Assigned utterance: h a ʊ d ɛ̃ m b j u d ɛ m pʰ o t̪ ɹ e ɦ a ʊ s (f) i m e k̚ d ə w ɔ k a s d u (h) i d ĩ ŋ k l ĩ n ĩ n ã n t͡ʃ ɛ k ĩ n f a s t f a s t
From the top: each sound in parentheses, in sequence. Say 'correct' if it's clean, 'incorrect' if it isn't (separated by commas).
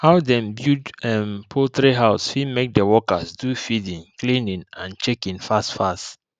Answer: correct, incorrect